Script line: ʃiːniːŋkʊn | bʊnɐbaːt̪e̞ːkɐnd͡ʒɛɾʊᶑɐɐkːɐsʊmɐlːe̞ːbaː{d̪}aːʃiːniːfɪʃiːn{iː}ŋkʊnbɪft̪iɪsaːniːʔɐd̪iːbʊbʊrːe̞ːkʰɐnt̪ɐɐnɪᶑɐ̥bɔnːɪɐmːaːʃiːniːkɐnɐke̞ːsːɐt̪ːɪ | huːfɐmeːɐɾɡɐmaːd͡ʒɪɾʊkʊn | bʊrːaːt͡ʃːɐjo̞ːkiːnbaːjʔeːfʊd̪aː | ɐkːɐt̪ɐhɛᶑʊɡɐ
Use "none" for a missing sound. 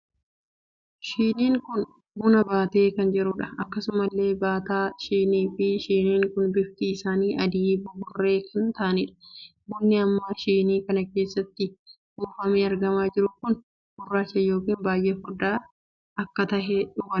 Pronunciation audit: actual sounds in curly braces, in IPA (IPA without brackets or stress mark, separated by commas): t̪, iː